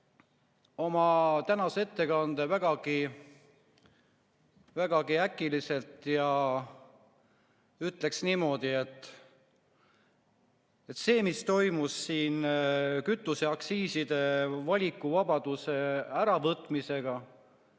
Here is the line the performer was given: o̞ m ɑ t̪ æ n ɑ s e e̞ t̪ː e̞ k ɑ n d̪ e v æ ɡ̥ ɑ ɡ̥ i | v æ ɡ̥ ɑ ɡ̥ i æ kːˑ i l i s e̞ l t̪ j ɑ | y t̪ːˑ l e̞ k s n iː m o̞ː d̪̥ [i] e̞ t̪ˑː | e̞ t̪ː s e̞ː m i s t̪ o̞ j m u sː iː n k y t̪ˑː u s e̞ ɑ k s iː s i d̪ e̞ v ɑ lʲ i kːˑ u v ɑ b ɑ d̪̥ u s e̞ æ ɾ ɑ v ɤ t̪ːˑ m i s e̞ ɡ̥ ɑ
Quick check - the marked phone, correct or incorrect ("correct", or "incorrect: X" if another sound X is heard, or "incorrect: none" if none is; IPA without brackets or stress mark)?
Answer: correct